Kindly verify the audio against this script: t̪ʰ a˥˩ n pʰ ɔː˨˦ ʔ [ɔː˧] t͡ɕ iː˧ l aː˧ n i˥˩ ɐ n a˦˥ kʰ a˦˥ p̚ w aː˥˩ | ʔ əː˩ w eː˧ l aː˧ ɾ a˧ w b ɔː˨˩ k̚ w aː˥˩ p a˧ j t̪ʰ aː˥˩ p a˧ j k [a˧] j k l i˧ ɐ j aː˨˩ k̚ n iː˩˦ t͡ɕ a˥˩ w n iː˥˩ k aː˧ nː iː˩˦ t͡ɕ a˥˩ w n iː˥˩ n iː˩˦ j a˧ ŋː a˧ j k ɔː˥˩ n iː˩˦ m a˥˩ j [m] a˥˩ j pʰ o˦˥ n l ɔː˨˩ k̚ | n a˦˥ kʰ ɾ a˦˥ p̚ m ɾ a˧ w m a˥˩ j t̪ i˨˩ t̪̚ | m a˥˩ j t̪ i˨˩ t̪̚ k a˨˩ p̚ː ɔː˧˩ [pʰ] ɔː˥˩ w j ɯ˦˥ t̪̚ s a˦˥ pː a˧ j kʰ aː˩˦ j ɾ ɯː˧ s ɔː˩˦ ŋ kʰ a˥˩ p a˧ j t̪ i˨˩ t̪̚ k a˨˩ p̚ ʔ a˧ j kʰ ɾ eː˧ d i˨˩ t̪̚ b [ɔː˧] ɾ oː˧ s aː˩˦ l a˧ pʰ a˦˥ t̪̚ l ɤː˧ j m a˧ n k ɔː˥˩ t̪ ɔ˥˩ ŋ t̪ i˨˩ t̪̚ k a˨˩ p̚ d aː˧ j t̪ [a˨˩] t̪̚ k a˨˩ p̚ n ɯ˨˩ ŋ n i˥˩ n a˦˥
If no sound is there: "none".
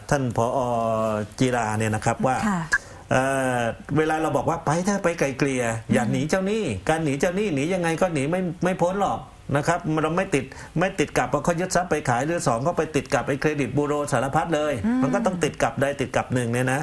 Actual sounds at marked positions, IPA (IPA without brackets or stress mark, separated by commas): ɔː˧, a˨˩, m, kʰ, uː˧, i˨˩